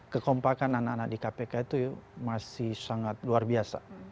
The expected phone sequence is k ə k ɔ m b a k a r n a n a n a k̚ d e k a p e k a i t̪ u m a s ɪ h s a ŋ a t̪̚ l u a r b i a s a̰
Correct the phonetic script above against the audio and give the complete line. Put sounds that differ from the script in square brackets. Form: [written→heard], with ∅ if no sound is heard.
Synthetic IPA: k ə k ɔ m [b→p] a k a [r→∅] n a n a n a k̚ d [e→i] k a p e k a i t̪ u m a s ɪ h s a ŋ a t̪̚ l u a r b i a s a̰